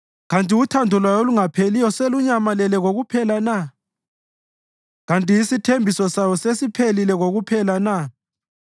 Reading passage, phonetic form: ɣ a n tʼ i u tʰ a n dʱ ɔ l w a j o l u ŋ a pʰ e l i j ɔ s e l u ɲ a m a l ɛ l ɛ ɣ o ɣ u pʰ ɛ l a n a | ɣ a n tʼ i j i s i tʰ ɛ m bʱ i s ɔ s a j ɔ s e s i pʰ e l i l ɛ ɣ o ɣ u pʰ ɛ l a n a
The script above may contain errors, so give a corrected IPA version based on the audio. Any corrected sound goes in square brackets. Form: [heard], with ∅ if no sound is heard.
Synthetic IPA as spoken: ɣ a n tʼ i u tʰ a n dʱ ɔ l w a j o l u ŋ a pʰ e l i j ɔ s e l u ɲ a m a l ɛ l ɛ ɣ o ɣ u pʰ ɛ l a n a | ɣ a n tʼ i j i s i tʰ [e] m bʱ i s ɔ s a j ɔ s e s i pʰ e l i l ɛ ɣ o ɣ u pʰ ɛ l a n a